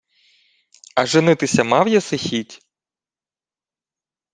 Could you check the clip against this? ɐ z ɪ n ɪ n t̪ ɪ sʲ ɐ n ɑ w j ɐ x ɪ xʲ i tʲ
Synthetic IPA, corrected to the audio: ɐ ʒ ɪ n ɪ t̪ ɪ sʲ ɐ m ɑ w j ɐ s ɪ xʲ i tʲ

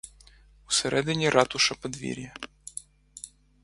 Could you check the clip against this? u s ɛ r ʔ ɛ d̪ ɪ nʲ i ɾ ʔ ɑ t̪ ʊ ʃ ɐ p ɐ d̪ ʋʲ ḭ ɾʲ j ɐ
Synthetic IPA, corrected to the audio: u s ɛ ɾ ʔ ɛ d̪ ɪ nʲ i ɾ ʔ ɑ t̪ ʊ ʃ ɐ p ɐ d̪ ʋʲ ḭ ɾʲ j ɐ

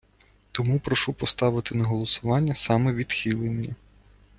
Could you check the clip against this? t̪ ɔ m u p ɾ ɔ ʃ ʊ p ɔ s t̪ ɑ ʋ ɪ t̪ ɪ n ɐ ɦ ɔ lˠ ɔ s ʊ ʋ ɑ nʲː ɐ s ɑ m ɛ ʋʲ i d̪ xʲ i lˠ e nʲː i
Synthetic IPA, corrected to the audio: t̪ ɔ m u p ɾ ɔ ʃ u p ɔ s t̪ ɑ ʋ ɪ t̪ ɪ n ɐ ɦ ɔ lˠ ɔ s ʊ ʋ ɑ nʲː ɐ s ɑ m ɛ ʋʲ i d̪ xʲ i lˠ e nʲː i

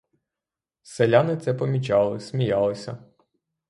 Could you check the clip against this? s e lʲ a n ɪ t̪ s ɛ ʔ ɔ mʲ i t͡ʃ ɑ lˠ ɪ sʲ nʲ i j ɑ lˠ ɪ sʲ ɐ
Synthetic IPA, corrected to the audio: s e lʲ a n ɪ t̪ s ɛ p ɔ mʲ i t͡ʃ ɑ lˠ ɪ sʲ mʲ i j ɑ lˠ ɪ sʲ ɐ

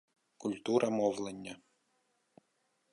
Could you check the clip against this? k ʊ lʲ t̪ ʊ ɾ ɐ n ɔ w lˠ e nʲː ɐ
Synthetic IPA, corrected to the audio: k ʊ lʲ t̪ u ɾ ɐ m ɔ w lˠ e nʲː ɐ

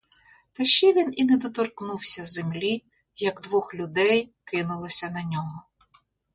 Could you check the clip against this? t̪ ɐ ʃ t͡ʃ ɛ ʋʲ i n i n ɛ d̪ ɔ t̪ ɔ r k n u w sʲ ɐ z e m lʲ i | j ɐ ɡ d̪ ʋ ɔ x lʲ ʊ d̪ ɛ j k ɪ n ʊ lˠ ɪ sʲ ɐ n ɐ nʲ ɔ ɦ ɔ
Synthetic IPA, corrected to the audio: t̪ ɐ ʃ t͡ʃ ɛ ʋʲ i n i n ɛ d̪ ɔ t̪ ɔ r k n u w sʲ ɐ z e m lʲ i | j ɐ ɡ d̪ ʋ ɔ x lʲ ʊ d̪ ɛ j k ɪ n ʊ lˠ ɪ sʲ ɐ n ɐ nʲ ɔ ɦ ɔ

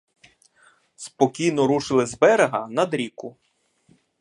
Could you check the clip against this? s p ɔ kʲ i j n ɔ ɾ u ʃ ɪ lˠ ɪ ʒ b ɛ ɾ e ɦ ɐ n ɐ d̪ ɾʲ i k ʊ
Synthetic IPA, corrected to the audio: s p ɔ kʲ i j n ɔ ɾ u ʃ ɪ lˠ ɪ z b ɛ ɾ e ɦ ɐ n ɐ d̪ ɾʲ i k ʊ

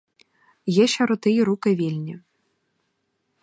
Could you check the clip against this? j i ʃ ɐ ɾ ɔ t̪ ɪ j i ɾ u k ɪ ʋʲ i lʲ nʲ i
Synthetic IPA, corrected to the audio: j ɛ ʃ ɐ ɾ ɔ t̪ ɪ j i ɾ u k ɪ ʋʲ i lʲ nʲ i

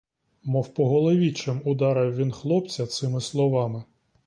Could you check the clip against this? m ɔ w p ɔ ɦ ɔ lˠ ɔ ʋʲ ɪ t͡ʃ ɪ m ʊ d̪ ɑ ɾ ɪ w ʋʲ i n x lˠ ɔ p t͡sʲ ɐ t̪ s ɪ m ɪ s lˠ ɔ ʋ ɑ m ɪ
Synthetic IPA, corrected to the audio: m ɔ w p ɔ ɦ ɔ lˠ ɔ ʋʲ i t͡ʃ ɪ m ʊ d̪ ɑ ɾ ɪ w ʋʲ i n x lˠ ɔ p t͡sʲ ɐ t̪ s ɪ m ɪ s lˠ ɔ ʋ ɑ m ɪ

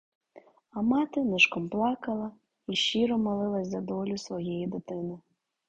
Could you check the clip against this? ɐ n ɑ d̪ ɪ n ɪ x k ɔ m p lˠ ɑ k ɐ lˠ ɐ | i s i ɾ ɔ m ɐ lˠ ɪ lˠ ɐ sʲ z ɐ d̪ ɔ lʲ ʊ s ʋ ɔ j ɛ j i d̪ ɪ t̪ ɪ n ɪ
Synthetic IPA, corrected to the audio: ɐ m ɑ t̪ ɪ n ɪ ʃ k ɔ m p lˠ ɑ k ɐ lˠ ɐ | i ʃ i ɾ ɔ m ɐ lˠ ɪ lˠ ɐ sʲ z ɐ d̪ ɔ lʲ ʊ s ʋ ɔ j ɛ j i d̪ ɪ t̪ ɪ n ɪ

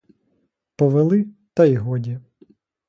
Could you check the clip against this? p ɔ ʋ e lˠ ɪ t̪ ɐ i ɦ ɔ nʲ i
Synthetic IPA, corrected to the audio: p ɔ ʋ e lˠ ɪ t̪ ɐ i ɦ ɔ dʲ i

